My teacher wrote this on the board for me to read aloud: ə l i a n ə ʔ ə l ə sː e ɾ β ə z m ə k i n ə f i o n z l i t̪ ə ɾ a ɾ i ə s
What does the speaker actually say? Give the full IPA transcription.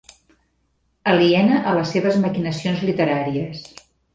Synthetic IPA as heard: ə l i ɛ n ə ʔ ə l ə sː e β ə z m ə k i n ə s i o n z l i t̪ ə ɾ a ɾ i ə s